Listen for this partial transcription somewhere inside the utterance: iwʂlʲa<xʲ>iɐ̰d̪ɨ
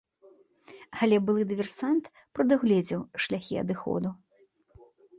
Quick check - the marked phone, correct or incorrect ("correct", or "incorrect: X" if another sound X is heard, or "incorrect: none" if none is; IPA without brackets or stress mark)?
correct